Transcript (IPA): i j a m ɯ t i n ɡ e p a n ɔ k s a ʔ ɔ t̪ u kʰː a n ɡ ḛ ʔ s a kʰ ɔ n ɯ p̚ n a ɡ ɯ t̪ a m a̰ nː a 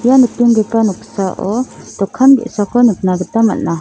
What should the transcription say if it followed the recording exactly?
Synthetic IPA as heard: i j a n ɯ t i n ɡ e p a n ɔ k s a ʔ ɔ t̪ ɔ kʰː a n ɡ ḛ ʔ s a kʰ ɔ n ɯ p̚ n a ɡ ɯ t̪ a m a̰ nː a